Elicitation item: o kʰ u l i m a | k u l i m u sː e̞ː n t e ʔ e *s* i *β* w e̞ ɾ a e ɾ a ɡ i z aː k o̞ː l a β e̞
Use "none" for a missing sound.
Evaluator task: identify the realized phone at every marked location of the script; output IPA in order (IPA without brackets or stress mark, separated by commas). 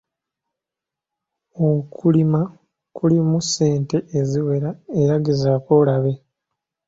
z, none